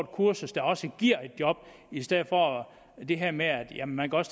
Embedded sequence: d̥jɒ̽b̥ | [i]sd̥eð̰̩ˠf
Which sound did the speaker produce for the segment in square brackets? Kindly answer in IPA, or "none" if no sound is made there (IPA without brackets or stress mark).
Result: i